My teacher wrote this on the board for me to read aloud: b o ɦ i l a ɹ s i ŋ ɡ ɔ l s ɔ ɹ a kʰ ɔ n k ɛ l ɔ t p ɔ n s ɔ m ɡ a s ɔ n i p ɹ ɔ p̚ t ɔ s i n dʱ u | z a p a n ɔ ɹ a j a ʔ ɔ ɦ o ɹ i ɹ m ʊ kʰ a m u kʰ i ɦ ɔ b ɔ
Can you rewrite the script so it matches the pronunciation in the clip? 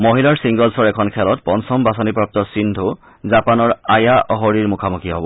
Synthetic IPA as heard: m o ɦ i l a ɹ s i ŋ ɡ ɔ l s ɔ ɹ ɛ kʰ ɔ n kʰ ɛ l ɔ t p ɔ n s ɔ m b a s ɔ n i p ɹ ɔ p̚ t ɔ s i n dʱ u | z a p a n ɔ ɹ a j a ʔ ɔ ɦ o ɹ i ɹ m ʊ kʰ a m u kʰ i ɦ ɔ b ɔ